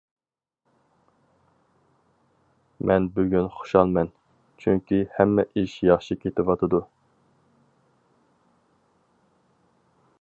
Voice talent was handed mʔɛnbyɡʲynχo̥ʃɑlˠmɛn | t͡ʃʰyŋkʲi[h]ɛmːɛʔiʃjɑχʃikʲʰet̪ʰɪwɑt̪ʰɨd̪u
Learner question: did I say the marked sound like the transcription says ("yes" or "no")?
yes